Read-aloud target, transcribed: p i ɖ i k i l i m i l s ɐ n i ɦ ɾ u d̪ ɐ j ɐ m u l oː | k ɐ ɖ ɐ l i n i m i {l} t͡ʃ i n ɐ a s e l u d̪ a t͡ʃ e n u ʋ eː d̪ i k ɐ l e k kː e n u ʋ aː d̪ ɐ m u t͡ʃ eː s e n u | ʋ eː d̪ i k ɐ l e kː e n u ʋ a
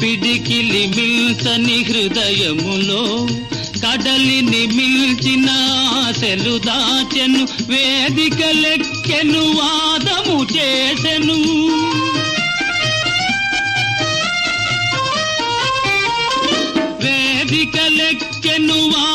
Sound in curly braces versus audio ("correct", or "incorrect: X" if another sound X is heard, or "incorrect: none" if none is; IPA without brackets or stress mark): correct